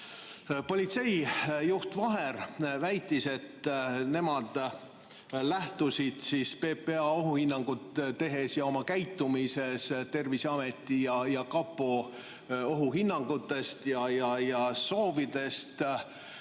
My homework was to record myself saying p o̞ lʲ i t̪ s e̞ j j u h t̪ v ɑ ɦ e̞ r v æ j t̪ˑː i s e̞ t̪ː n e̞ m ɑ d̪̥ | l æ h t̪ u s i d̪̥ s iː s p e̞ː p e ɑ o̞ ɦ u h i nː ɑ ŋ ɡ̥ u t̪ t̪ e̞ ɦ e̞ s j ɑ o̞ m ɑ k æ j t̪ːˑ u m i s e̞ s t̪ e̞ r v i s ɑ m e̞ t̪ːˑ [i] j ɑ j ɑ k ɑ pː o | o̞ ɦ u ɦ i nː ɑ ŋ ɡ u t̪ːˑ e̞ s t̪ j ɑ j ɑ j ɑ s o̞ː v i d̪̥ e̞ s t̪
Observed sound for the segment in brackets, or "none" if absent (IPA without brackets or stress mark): i